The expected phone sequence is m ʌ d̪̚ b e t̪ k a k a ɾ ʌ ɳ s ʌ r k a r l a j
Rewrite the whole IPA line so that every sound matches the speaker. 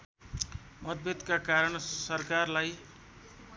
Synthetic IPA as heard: m ʌ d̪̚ b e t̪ k a k a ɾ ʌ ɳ s ʌ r k a r l a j